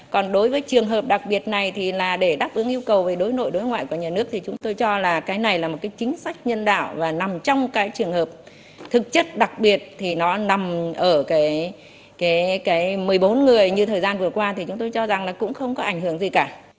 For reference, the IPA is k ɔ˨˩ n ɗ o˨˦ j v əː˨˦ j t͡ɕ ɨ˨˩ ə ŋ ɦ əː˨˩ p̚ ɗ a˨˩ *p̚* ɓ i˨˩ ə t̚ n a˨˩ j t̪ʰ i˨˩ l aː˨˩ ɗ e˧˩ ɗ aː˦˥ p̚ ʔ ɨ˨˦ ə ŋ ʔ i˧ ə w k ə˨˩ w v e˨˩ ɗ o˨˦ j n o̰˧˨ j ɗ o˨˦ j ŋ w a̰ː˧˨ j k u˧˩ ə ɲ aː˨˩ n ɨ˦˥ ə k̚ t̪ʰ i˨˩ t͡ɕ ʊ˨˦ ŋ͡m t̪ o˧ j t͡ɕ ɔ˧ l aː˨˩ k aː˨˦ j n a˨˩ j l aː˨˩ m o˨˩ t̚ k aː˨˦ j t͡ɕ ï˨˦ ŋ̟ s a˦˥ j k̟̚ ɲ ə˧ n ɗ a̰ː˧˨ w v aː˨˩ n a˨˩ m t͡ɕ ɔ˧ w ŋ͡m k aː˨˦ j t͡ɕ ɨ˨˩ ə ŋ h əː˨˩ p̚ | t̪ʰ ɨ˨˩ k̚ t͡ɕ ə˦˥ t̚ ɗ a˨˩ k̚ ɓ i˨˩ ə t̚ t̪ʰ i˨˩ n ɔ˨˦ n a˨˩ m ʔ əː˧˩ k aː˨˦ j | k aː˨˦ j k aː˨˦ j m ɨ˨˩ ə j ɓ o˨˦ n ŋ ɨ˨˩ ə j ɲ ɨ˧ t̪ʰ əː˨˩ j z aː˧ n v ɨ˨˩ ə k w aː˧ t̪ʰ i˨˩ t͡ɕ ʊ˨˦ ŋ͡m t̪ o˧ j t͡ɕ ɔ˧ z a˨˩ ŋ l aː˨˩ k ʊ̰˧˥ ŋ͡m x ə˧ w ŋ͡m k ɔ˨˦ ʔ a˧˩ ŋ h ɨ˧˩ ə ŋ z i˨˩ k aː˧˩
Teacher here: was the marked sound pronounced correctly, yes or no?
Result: no